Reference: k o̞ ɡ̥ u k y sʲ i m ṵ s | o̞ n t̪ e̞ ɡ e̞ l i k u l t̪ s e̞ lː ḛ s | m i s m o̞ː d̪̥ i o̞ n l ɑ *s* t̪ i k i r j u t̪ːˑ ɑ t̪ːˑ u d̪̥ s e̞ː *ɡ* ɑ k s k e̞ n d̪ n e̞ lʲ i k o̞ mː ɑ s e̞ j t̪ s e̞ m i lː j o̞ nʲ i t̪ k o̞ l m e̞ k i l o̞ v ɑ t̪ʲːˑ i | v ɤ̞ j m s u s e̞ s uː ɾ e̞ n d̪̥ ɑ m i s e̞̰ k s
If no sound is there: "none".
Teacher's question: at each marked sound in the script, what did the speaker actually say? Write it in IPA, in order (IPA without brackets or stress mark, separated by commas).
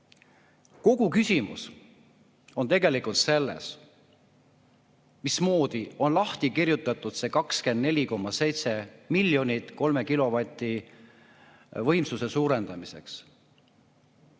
h, k